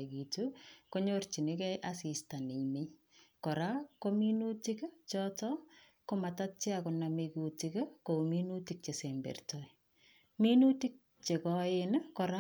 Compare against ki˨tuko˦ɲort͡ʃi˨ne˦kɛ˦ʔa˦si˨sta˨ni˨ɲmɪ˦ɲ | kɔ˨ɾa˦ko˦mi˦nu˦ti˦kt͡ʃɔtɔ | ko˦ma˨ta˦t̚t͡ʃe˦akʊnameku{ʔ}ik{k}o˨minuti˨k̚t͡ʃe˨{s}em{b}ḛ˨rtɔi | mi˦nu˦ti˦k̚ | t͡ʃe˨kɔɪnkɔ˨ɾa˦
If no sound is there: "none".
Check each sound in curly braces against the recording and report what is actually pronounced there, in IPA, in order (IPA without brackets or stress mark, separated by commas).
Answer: t, k, s, b